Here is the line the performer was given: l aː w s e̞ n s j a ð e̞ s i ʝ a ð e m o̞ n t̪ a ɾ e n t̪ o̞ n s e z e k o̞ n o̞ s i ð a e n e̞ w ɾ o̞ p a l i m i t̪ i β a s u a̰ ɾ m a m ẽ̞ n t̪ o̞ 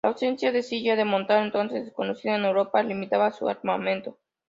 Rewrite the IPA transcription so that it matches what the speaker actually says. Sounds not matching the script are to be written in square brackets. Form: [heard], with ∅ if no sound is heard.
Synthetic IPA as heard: l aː w s e̞ n s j a ð e̞ s i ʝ a ð e m o̞ n t̪ a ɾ e n t̪ o̞ n s e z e k o̞ n o̞ s i ð a e n e̞ w ɾ o̞ p a l i m i t̪ [a] β a s u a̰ ɾ m a m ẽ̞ n t̪ o̞